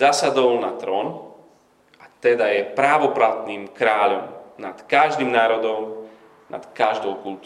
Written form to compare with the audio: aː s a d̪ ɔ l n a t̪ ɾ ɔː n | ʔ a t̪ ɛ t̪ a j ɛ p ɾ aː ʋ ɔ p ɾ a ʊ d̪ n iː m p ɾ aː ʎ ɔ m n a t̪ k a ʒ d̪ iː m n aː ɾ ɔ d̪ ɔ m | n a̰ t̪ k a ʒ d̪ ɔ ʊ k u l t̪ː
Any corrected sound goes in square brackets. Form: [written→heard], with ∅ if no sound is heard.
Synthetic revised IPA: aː s a d̪ ɔ l n a t̪ ɾ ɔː n | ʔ a t̪ ɛ [t̪→d̪] a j ɛ p ɾ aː ʋ ɔ p ɾ a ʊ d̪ n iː m [p→k] ɾ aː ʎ ɔ m n a t̪ k a ʒ d̪ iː m n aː ɾ ɔ d̪ ɔ m | n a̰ t̪ k a ʒ d̪ ɔ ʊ k u l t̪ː